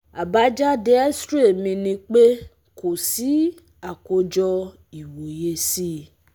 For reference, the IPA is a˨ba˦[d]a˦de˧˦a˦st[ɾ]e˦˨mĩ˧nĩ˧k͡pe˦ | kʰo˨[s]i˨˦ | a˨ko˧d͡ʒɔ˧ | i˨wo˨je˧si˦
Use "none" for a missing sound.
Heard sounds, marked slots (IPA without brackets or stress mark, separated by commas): d͡ʒ, ɾ, s